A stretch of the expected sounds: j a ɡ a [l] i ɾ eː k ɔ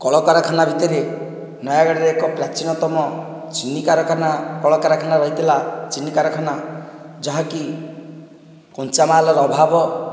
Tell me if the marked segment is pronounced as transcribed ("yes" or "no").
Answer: no